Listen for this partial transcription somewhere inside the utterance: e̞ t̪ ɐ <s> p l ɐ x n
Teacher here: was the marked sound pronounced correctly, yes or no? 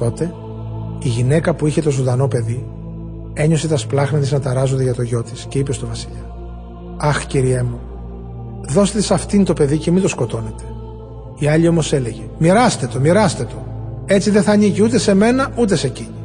yes